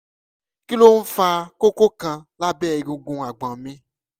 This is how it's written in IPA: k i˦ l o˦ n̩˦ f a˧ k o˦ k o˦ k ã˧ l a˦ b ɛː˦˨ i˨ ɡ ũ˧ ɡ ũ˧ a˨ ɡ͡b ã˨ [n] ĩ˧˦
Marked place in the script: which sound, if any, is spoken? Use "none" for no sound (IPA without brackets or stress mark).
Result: m